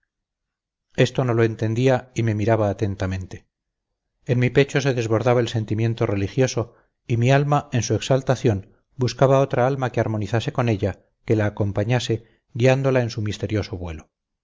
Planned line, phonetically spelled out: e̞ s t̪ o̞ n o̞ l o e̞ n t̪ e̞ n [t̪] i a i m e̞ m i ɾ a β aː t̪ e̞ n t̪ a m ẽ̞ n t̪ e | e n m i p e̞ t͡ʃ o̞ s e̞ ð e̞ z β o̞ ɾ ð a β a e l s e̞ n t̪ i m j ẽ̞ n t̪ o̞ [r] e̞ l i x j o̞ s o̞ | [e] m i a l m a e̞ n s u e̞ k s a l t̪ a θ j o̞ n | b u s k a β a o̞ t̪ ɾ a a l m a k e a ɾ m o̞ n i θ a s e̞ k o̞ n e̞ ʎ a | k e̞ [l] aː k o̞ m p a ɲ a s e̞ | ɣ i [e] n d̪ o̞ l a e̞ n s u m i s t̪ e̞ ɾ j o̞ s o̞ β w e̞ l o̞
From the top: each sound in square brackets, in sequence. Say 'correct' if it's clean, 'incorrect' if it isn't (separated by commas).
incorrect, correct, incorrect, correct, incorrect